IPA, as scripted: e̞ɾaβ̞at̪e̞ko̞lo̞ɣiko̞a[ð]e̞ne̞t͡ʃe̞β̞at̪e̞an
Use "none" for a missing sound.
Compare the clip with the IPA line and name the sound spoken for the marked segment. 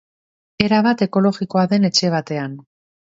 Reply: ð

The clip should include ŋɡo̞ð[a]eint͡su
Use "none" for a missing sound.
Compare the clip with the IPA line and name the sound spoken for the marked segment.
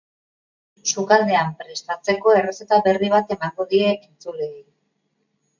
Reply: i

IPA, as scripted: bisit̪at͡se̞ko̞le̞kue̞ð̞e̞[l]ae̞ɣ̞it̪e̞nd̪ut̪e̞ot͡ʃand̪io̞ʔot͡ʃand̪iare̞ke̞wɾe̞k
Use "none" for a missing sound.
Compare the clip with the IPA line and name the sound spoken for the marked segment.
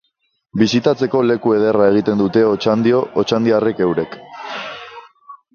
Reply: r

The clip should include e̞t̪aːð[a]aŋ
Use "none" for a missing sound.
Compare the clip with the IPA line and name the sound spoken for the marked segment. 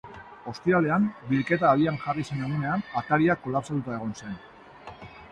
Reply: i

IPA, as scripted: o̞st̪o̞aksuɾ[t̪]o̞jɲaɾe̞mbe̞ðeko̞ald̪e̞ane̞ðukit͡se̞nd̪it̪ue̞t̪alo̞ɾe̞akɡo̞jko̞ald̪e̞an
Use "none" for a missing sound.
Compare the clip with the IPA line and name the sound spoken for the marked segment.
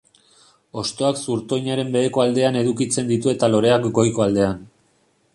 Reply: t̪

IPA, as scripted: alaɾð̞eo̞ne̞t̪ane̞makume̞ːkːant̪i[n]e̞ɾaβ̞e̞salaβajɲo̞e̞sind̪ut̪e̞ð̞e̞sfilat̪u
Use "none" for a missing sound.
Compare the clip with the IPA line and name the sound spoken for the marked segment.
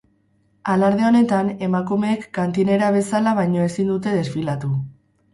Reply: n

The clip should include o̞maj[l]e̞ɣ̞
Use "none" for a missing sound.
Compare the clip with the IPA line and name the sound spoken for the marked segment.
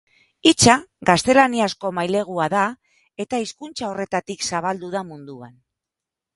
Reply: l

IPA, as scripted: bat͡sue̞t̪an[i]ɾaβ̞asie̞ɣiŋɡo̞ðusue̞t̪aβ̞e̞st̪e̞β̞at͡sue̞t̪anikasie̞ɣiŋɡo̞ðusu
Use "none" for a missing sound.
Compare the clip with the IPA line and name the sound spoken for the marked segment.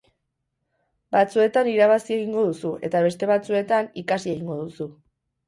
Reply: i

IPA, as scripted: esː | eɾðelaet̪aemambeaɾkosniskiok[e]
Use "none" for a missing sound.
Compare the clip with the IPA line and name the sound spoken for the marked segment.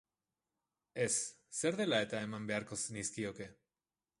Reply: e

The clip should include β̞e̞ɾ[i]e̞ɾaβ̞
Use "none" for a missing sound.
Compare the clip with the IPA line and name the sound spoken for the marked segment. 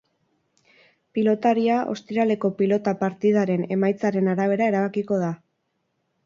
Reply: a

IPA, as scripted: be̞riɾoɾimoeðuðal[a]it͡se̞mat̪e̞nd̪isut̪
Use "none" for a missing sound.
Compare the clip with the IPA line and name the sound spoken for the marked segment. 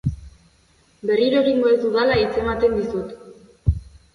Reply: a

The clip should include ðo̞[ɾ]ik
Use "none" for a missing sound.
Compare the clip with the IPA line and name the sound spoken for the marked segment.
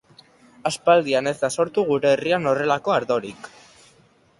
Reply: ɾ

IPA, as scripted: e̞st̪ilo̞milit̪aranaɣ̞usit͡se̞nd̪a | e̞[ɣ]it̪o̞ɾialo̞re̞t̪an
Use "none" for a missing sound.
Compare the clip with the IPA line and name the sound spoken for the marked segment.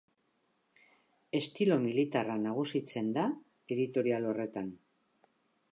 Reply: ð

